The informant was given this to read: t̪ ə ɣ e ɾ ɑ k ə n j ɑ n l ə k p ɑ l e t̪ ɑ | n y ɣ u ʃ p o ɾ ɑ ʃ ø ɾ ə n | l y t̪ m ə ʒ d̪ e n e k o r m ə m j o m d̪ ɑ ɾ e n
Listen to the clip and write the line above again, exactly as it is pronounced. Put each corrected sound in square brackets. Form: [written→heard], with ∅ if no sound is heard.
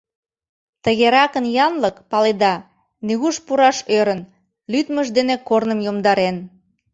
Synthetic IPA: t̪ ə ɣ e ɾ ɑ k ə n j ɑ n l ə k p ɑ l e [t̪→d̪] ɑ | n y ɣ u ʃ p [o→u] ɾ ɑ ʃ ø ɾ ə n | l y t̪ m ə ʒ d̪ e n e k o r [m→n] ə m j o m d̪ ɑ ɾ e n